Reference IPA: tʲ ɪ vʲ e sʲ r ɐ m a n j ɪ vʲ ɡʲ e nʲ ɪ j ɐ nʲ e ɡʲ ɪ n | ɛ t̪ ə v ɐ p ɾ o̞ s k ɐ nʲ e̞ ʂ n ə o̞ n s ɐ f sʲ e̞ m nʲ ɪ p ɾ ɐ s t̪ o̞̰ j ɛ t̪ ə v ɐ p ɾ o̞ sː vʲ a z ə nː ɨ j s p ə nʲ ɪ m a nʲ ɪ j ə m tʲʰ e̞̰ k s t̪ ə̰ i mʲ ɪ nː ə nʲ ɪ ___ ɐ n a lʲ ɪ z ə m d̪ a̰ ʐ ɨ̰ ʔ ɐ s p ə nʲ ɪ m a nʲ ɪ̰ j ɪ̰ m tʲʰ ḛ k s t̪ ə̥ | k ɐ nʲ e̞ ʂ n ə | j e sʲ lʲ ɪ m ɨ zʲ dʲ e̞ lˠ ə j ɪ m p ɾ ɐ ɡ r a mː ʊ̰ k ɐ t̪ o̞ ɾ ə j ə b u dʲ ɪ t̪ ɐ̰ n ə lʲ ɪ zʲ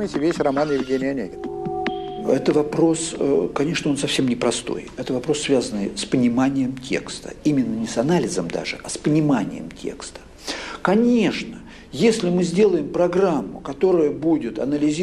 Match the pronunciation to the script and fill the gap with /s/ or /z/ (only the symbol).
s